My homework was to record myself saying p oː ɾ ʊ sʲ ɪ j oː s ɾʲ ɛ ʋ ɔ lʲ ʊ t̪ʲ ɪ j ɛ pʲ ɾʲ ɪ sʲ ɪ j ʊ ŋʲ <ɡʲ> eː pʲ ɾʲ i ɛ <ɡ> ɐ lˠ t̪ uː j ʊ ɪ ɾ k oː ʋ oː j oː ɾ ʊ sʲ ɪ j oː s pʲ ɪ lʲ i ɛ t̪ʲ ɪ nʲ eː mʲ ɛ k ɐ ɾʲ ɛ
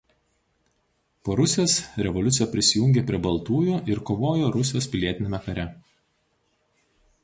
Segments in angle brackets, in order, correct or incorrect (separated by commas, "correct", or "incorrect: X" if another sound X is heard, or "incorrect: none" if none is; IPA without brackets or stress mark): correct, incorrect: b